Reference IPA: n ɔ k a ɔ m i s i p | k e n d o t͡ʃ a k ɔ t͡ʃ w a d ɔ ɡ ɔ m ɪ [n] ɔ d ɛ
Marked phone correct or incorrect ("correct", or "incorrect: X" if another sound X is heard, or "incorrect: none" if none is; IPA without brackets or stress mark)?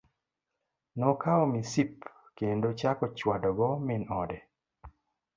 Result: correct